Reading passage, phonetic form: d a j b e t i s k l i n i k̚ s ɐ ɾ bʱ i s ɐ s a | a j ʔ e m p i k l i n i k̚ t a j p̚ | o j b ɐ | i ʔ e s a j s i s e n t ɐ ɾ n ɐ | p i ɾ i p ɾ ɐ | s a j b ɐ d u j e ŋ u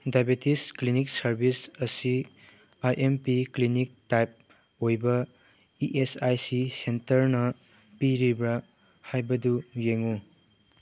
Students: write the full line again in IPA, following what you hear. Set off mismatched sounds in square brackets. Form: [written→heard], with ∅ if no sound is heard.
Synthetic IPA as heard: d a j b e t i s k l i n i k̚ s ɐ ɾ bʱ i s ɐ s [a→i] | a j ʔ e m p i k l i n i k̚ t a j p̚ | o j b ɐ | i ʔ e s a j s i s e n t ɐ ɾ n ɐ | p i ɾ i [p→b] ɾ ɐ | [s→h] a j b ɐ d u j e ŋ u